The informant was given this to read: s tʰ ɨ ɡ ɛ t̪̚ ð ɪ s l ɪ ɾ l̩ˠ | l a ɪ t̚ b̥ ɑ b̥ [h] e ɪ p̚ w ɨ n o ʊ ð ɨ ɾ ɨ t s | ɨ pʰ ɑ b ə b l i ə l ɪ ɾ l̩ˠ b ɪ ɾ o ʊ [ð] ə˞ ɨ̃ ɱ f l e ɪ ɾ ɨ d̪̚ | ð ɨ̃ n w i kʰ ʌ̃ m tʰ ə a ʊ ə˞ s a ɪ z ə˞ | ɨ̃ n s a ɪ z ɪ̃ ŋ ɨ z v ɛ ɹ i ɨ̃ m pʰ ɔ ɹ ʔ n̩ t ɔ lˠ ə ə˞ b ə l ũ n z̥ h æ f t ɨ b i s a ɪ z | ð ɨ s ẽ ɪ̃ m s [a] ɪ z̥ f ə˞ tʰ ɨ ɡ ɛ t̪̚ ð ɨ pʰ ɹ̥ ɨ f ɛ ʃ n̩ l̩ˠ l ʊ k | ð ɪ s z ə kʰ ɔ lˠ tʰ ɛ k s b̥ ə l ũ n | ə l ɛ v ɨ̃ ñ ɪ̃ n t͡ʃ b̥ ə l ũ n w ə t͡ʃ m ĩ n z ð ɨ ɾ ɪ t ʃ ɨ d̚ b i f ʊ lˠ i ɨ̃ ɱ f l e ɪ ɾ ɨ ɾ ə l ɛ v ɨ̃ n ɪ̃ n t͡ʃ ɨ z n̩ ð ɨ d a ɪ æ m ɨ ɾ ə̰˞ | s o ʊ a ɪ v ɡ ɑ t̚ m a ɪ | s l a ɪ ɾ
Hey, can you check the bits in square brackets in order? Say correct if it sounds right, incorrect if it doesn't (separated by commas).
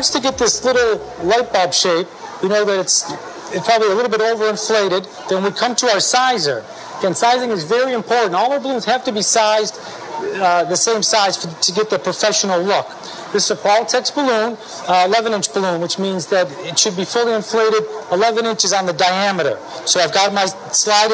incorrect, incorrect, correct